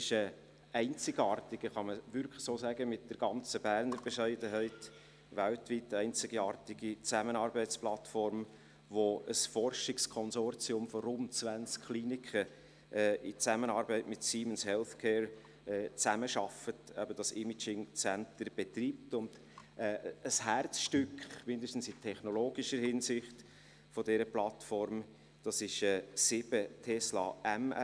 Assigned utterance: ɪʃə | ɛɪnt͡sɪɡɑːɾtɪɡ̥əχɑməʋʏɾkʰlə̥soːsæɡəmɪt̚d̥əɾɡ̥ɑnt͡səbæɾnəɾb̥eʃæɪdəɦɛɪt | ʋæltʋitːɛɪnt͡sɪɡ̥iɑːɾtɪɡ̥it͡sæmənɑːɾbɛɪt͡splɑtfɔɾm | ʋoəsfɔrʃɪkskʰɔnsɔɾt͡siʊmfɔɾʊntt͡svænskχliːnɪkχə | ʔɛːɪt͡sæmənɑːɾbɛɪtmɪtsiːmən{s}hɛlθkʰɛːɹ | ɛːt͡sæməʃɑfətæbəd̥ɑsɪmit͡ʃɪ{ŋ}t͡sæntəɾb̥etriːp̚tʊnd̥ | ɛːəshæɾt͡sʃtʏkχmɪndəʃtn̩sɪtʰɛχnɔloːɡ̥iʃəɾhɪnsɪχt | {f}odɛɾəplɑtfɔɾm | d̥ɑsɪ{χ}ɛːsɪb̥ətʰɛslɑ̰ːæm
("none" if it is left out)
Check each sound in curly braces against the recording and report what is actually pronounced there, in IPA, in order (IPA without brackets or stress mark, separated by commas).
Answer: s, ŋ, f, ʃ